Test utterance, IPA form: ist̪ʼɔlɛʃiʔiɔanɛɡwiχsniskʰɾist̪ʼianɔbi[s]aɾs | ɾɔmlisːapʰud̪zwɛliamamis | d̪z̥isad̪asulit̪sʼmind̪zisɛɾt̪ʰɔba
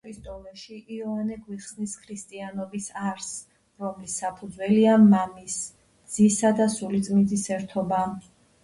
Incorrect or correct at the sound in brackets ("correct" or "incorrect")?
correct